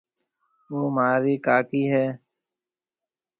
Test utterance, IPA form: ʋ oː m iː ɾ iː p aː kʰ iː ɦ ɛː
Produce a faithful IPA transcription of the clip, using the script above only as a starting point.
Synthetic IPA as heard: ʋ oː m aː ɾ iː k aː k iː ɦ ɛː